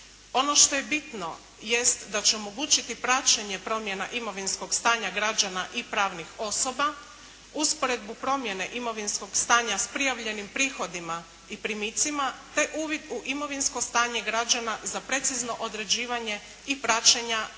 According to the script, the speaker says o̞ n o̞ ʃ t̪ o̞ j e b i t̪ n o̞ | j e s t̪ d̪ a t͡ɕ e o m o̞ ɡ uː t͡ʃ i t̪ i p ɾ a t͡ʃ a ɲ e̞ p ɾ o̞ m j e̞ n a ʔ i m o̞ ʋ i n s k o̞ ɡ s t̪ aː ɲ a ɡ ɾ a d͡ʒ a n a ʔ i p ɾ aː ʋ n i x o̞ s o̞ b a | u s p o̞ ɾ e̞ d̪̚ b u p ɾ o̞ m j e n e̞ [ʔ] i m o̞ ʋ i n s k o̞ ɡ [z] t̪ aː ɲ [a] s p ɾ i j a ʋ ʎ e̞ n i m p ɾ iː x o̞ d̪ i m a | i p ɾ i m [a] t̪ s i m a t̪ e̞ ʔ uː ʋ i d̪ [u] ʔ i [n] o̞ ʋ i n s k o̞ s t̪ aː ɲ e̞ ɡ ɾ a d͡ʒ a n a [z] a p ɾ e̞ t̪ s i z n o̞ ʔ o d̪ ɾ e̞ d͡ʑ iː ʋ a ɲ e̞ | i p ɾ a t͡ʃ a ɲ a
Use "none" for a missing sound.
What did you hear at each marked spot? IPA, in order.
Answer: ʔ, s, a, i, u, m, z

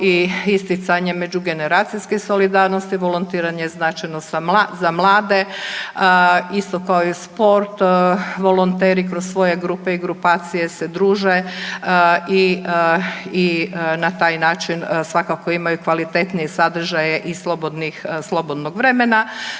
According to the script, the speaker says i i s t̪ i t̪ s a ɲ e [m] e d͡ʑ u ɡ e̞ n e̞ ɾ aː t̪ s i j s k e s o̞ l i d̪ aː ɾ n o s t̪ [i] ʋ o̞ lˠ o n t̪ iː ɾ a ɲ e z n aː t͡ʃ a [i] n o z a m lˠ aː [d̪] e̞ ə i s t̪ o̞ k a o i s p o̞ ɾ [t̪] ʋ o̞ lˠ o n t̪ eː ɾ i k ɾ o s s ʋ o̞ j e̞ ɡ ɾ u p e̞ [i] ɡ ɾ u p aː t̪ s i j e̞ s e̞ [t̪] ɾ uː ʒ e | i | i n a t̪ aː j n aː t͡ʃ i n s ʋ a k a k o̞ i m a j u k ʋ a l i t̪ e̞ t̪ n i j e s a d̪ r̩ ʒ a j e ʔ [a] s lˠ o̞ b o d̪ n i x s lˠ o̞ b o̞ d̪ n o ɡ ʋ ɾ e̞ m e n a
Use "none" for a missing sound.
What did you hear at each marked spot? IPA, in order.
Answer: m, i, j, d̪, t̪, i, d̪, i

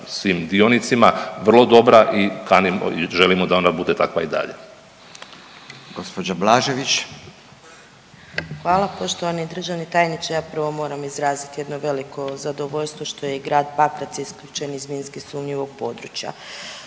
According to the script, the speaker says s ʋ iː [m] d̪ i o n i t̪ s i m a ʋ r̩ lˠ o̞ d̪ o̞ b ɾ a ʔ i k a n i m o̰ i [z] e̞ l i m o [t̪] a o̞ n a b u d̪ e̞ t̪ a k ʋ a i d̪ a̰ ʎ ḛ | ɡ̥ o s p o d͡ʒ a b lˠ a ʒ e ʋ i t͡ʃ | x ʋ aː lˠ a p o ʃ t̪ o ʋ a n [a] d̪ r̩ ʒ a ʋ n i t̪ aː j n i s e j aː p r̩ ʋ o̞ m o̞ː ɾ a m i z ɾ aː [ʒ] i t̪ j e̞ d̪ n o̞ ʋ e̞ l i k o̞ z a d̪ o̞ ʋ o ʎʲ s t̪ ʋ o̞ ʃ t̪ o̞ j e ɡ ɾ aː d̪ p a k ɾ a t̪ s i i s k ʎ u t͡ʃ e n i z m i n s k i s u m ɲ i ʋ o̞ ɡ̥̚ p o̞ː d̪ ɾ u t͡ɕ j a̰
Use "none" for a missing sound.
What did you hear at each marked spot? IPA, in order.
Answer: m, ʒ, d̪, i, z

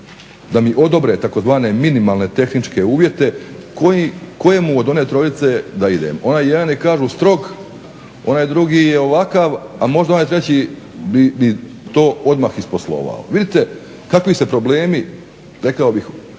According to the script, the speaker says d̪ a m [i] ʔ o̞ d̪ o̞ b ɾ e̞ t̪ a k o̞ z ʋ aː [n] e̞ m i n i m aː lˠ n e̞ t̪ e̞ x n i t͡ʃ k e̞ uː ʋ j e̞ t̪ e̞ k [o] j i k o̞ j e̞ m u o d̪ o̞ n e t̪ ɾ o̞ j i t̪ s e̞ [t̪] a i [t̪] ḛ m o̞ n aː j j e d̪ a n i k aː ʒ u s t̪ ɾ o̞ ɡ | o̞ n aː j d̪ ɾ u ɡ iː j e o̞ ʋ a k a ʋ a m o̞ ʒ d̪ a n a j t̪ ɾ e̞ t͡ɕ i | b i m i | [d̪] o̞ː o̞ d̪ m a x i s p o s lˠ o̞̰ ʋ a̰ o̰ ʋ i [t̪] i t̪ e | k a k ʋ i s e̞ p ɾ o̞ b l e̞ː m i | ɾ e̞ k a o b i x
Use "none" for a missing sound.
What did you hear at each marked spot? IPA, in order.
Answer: i, n, o, d̪, d̪, t̪, d̪

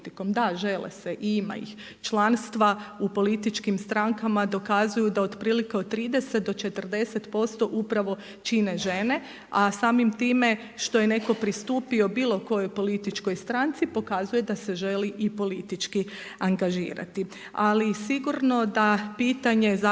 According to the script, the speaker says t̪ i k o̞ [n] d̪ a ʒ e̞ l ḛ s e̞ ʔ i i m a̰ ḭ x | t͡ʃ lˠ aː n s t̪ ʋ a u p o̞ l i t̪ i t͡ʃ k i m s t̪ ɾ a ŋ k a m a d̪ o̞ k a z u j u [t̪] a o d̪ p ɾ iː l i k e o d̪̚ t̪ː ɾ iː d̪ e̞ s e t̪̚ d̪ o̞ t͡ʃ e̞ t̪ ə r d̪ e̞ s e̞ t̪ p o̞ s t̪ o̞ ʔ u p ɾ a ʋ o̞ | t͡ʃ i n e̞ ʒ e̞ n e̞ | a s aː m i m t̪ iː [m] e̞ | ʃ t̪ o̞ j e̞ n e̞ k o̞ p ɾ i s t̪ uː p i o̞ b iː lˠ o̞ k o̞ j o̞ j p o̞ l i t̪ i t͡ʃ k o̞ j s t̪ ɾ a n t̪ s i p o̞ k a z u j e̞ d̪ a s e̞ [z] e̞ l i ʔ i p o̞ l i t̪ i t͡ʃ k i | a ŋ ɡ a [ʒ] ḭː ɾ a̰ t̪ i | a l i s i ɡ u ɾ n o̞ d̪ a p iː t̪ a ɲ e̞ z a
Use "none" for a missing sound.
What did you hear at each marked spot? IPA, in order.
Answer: m, d̪, m, ʒ, ʒ

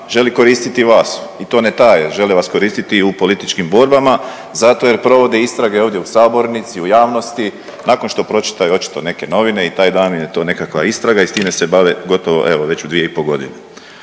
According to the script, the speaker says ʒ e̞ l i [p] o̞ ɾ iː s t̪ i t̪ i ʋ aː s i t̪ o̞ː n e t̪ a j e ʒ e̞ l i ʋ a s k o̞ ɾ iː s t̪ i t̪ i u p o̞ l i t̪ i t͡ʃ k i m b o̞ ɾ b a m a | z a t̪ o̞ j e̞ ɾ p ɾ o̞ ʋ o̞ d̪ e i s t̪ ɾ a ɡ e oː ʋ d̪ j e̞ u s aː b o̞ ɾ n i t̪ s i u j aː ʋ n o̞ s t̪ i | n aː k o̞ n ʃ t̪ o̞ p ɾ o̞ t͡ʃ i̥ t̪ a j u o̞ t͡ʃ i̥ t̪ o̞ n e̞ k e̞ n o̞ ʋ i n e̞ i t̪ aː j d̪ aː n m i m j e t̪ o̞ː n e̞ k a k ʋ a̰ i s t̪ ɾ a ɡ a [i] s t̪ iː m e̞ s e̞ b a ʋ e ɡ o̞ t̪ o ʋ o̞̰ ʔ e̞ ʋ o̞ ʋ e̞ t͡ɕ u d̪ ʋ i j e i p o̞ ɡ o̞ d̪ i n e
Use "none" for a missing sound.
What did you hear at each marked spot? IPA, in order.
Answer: k, i

